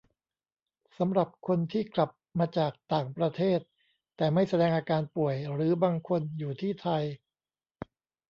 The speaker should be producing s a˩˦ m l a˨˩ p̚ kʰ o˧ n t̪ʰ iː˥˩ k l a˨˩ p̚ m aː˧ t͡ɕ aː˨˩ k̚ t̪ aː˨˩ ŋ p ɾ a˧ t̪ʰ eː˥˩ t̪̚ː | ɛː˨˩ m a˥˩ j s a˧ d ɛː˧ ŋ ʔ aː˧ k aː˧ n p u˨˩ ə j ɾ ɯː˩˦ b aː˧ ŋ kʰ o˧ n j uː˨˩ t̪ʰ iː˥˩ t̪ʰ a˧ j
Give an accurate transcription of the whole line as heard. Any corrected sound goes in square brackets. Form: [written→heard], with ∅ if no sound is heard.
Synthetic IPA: s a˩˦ m [l→ɾ] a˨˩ p̚ kʰ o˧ n t̪ʰ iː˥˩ k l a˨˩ p̚ m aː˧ t͡ɕ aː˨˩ k̚ t̪ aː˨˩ ŋ p ɾ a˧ t̪ʰ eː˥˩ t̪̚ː | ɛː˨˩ m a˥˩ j s a˧ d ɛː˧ ŋ ʔ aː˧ k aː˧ n p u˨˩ ə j ɾ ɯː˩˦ b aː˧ ŋ kʰ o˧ n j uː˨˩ t̪ʰ iː˥˩ t̪ʰ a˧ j